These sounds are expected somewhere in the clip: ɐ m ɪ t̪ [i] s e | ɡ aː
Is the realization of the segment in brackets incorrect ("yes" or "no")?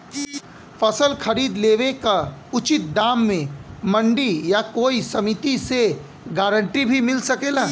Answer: no